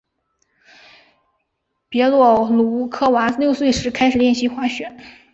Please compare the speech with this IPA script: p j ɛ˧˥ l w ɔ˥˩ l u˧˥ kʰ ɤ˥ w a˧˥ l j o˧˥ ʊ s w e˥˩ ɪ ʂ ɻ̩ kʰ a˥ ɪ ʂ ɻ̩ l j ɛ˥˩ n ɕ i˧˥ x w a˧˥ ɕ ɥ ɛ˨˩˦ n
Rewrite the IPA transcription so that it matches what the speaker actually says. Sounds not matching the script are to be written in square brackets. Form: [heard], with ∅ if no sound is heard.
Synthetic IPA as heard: p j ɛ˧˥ l w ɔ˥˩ l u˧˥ kʰ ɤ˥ w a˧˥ l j [o˥˧] ʊ s w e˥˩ ɪ ʂ ɻ̩ kʰ a˥ ɪ ʂ ɻ̩ l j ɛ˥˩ n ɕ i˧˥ x w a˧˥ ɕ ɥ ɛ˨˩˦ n